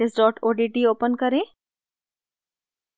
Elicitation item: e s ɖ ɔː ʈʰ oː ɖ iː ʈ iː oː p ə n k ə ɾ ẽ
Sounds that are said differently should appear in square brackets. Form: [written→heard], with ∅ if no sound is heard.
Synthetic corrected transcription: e s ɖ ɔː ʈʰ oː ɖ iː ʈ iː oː p ə n k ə ɾ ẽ